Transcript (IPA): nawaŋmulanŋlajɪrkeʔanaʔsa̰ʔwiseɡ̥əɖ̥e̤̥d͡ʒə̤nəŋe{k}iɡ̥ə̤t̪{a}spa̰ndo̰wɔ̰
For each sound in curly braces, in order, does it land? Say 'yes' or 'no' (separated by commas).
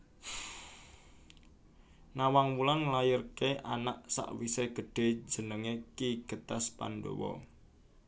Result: yes, yes